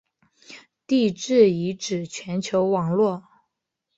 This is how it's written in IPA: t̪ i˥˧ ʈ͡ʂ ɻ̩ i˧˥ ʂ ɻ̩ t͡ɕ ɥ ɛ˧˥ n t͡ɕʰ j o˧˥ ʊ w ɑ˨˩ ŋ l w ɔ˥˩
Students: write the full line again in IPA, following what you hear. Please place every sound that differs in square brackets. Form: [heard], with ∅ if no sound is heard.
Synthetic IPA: t̪ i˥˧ ʈ͡ʂ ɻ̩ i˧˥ [ʈ͡ʂ] ɻ̩ [t͡ɕʰ] ɥ ɛ˧˥ n t͡ɕʰ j o˧˥ ʊ w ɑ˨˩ ŋ l w ɔ˥˩